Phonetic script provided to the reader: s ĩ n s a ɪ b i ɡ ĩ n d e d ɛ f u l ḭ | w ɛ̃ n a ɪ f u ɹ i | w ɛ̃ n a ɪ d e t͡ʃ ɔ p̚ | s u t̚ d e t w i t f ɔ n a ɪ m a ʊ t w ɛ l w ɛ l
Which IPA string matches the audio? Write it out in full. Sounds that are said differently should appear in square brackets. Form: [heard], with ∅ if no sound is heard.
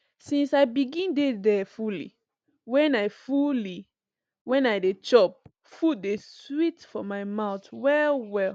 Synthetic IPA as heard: s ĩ n s a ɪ b i ɡ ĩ n d e d ɛ f u l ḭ | w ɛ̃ n a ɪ f u [l] i | w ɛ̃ n a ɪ d e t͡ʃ ɔ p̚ | [f] u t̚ d e [s] w i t f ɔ [m] a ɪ m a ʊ t w ɛ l w ɛ l